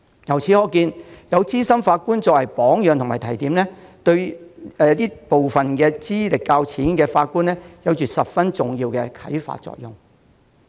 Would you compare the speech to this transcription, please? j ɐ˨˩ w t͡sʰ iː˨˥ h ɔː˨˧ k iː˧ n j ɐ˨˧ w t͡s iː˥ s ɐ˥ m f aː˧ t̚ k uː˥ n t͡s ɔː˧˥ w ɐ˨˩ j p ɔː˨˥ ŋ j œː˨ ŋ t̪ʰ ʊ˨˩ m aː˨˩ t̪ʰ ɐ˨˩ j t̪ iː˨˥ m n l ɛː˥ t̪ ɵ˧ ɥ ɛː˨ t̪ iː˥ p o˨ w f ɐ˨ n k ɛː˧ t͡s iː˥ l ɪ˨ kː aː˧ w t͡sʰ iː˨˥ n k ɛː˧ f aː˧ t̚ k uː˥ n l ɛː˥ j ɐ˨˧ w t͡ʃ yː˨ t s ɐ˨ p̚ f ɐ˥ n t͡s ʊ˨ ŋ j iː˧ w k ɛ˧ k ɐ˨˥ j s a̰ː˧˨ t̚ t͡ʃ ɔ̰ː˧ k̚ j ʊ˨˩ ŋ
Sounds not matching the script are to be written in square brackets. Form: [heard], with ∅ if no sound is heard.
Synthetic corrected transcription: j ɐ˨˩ w t͡sʰ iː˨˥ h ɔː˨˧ k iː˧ n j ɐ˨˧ w t͡s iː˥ s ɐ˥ m f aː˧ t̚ k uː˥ n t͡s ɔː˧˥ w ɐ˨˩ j p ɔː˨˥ ŋ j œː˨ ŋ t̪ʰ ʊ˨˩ m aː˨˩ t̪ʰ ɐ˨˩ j t̪ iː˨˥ m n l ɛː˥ t̪ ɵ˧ ɥ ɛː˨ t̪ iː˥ p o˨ w f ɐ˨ n k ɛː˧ t͡s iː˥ l ɪ˨ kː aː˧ w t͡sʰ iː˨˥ n k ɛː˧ f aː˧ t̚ k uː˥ n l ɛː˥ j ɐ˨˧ w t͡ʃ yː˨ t s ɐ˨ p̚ f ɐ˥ n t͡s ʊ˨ ŋ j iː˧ w k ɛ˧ [kʰ] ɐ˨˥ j [f] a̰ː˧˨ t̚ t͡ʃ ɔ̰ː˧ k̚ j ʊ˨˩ ŋ